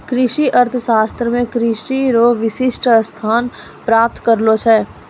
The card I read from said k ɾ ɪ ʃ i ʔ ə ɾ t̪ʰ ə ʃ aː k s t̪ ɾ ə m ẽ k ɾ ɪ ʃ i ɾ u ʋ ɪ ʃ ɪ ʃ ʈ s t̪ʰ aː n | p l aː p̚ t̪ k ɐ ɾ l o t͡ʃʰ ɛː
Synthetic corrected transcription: k ɾ ɪ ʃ i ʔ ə ɾ t̪ʰ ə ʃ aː s t̪ ɾ ə m ẽ k ɾ ɪ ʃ i ɾ o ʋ ɪ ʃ ɪ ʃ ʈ s t̪ʰ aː n | p ɾ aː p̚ t̪ k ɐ ɾ l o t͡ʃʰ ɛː